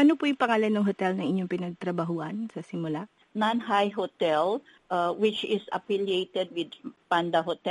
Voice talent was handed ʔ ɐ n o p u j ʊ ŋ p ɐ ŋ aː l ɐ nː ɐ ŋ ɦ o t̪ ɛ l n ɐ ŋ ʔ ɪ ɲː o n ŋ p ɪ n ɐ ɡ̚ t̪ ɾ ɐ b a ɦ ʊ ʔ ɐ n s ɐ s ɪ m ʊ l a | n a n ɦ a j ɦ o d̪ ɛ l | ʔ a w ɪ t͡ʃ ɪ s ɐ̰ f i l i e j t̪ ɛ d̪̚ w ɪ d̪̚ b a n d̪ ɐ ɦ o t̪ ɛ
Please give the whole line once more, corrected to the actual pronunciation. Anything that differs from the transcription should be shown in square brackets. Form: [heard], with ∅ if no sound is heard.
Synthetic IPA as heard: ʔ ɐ n o p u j ʊ ŋ p ɐ ŋ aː l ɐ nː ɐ ŋ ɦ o t̪ ɛ l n ɐ ŋ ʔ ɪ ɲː o [∅] ŋ p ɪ n ɐ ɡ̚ t̪ ɾ ɐ b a ɦ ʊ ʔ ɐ n s ɐ s ɪ m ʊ l a | n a n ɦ a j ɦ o [t̪] ɛ l | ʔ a w ɪ t͡ʃ ɪ s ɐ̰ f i l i e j t̪ ɛ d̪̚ w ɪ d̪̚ [p] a n d̪ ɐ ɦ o t̪ ɛ